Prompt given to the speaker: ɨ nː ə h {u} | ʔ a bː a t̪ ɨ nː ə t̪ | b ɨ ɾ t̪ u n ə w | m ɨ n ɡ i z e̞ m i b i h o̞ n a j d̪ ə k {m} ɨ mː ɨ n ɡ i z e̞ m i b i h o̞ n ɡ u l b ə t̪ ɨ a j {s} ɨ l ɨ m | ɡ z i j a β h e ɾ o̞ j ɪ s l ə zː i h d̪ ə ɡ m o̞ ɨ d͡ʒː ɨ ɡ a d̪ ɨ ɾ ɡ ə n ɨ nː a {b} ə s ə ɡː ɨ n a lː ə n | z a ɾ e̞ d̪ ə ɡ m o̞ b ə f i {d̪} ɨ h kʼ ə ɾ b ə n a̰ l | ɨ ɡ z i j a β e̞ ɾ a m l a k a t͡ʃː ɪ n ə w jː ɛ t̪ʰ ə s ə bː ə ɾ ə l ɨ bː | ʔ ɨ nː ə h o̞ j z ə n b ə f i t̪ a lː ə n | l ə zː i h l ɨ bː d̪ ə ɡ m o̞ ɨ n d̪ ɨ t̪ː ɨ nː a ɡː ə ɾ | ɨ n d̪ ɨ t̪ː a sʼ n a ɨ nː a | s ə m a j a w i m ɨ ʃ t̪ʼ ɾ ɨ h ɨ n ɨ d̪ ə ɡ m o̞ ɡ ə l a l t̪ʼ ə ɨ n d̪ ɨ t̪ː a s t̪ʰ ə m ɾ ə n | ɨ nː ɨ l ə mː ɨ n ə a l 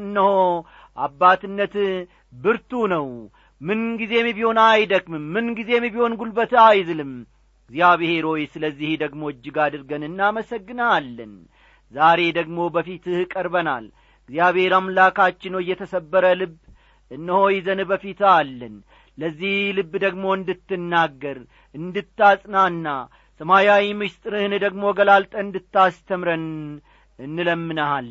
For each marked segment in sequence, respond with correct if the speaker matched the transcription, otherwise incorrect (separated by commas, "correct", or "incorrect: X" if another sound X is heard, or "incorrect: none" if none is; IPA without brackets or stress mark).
incorrect: o, correct, incorrect: z, incorrect: m, incorrect: t̪